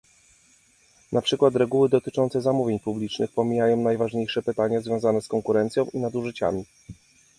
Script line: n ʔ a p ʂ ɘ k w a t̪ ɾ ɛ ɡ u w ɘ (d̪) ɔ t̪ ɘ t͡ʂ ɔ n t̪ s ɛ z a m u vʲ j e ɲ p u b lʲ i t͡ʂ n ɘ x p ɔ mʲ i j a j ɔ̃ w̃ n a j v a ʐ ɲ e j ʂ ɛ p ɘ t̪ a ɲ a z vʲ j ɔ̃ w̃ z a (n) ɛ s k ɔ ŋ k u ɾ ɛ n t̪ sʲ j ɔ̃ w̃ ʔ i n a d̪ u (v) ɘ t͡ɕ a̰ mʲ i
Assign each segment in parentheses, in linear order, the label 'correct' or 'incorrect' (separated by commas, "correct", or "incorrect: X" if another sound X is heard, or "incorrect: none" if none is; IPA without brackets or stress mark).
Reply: correct, correct, incorrect: ʐ